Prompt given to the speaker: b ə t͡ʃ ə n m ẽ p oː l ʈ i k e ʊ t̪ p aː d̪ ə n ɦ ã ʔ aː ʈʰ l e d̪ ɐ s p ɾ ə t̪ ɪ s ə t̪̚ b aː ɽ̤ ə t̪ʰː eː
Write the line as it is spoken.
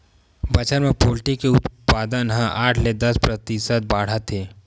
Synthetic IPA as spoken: b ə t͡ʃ ə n m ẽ p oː l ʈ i k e ʊ t̪ p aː d̪ ə n ɦ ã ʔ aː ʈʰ l e d̪ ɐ s p ɾ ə t̪ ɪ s ə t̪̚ b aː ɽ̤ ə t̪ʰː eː